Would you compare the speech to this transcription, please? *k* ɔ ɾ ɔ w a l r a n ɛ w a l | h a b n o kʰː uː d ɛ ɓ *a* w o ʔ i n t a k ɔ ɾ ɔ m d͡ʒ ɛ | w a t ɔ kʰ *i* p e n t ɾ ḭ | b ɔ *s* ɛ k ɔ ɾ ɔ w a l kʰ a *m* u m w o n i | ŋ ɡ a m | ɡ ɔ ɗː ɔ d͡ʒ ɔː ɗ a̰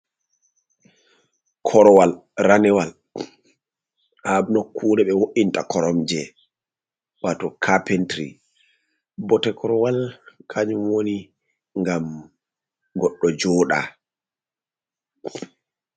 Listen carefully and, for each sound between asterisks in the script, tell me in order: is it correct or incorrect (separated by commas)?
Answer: incorrect, incorrect, incorrect, incorrect, incorrect